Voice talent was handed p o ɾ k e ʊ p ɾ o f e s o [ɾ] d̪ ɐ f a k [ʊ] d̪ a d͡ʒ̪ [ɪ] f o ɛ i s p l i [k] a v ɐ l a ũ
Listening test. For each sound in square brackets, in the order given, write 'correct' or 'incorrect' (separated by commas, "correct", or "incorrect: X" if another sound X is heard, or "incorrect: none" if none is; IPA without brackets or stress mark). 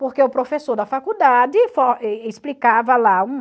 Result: correct, incorrect: u, correct, correct